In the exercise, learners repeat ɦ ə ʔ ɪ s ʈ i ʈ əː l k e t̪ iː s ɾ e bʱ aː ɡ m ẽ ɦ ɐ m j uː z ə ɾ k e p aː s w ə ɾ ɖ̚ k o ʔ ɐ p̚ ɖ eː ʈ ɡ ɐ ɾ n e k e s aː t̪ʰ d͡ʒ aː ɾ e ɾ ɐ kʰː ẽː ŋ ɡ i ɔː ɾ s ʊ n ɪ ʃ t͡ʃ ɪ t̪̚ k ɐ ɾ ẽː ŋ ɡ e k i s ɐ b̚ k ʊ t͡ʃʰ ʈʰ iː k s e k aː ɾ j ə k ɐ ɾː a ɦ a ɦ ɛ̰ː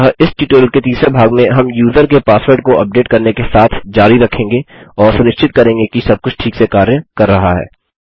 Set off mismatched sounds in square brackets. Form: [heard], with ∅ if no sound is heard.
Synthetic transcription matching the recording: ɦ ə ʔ ɪ s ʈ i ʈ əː l k e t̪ iː s ɾ e bʱ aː ɡ m ẽ ɦ ɐ m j uː z ə ɾ k e p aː s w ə ɾ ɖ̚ k o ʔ ɐ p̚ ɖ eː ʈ [k] ɐ ɾ n e k e s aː t̪ʰ d͡ʒ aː ɾ [i] ɾ ɐ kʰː ẽː ŋ ɡ [e] ɔː ɾ s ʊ n ɪ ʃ t͡ʃ ɪ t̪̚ k ɐ ɾ ẽː ŋ ɡ e k i s ɐ b̚ k ʊ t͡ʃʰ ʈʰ iː k s e k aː ɾ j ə k ɐ ɾː [ɐ] ɦ a ɦ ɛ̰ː